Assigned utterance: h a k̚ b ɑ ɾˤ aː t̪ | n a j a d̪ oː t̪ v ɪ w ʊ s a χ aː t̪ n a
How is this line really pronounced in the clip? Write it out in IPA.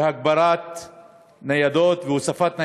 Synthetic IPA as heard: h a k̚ b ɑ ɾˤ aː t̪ | n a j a d̪ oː t̪ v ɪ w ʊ s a f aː t̪ n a